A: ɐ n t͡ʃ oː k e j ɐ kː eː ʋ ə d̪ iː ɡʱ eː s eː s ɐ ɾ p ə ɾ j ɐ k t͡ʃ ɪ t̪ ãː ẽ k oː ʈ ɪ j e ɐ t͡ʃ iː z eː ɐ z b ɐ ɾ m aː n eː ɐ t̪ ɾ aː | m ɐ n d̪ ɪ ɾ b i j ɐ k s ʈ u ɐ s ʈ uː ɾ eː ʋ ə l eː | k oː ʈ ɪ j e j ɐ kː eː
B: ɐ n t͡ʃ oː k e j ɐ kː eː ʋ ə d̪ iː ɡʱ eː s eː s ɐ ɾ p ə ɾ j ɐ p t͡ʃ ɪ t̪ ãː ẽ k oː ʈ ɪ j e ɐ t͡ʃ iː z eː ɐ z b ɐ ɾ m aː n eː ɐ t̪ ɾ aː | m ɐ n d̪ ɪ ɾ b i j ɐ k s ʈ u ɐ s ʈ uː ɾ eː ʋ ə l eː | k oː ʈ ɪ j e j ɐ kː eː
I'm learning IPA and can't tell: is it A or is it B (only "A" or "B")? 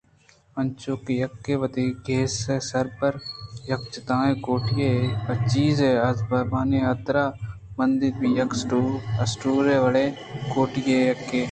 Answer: A